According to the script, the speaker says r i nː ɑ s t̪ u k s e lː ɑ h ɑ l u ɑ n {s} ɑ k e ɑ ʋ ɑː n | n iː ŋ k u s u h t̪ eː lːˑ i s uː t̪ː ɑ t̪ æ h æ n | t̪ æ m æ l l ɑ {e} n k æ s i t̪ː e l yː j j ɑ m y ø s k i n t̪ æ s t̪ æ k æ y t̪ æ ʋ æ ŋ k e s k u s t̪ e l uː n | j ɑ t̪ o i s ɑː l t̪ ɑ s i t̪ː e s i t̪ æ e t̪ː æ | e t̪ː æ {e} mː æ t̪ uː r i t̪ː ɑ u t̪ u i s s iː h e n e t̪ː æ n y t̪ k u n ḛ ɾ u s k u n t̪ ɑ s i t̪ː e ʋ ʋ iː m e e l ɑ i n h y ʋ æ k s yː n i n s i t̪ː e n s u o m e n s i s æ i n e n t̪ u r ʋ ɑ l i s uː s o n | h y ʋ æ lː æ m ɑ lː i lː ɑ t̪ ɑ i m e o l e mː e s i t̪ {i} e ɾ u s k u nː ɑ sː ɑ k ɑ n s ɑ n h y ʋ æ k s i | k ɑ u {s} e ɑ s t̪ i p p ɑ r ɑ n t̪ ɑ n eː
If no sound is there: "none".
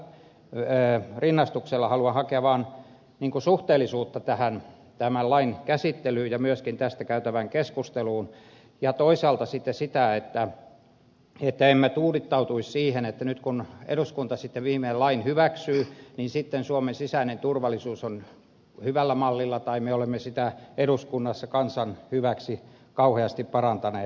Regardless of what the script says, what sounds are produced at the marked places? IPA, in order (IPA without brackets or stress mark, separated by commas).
h, i, e, æ, h